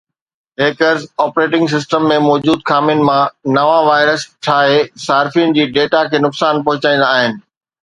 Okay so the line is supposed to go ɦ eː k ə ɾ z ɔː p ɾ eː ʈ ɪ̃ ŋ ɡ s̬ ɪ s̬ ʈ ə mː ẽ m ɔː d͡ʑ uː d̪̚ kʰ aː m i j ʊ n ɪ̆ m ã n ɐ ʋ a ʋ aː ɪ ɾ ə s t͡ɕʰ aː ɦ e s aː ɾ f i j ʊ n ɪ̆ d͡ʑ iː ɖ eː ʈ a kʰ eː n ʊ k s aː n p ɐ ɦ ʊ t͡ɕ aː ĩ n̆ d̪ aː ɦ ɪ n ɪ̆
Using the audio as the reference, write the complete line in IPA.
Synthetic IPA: ɦ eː k ə ɾ z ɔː p ɾ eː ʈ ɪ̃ ŋ ɡ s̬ ɪ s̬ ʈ ə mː ẽ m ɔː d͡ʑ uː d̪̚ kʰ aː m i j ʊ n ɪ̆ m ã n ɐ ʋ a ʋ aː ɪ ɾ ə s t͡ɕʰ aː ɦ e s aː ɾ f i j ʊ n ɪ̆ d͡ʑ iː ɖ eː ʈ a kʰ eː n ʊ k s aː n p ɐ ɦ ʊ t͡ɕ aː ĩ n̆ d̪ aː ɦ ɪ n ɪ̆

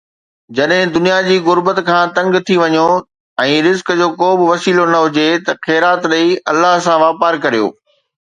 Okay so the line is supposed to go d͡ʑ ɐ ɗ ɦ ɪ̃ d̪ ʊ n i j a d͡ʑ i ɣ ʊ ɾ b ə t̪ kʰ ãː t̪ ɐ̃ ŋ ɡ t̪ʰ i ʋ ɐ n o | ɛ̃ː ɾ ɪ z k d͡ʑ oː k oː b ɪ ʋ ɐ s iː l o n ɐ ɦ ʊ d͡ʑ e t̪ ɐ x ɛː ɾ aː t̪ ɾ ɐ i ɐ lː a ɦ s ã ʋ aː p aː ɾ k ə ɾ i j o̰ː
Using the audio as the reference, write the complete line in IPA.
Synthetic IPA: d͡ʑ ɐ ɗ ɦ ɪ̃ d̪ ʊ n i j a d͡ʑ iː ɣ ʊ ɾ b ə t̪ kʰ ãː t̪ ɐ̃ ŋ ɡ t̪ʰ i ʋ ɐ ɲ o | ɛ̃ː ɾ ɪ z k d͡ʑ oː k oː b ɪ ʋ ɐ s iː l o n ɐ ɦ ʊ d͡ʑ e t̪ ɐ x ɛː ɾ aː t̪ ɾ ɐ i ɐ lː a ɦ s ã ʋ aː p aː ɾ k ɐ ɾ i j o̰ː

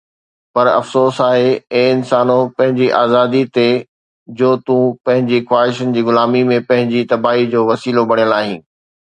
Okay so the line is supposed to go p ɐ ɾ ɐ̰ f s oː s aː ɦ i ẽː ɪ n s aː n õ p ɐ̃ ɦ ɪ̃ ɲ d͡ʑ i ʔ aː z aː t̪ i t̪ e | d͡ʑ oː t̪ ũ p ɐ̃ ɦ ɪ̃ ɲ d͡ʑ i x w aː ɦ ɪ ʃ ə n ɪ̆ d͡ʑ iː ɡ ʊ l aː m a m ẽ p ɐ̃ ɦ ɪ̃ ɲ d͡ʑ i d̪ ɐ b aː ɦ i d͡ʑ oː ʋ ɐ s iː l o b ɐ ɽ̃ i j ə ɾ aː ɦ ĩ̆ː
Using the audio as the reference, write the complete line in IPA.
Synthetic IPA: p ɐ ɾ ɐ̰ f s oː s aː ɦ e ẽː ɪ n s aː n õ p ɐ̃ ɦ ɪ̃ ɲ d͡ʑ i ʔ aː z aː d̪ i t̪ e | d͡ʑ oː t̪ ũ p ɐ̃ ɦ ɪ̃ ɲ d͡ʑ i x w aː ɦ ɪ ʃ ə n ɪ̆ d͡ʑ iː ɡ ʊ l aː m i m ẽ p ɐ̃ ɦ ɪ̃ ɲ d͡ʑ i t̪ ɐ b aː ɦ i d͡ʑ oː ʋ ɐ s iː l o b ɐ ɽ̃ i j ə l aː ɦ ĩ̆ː

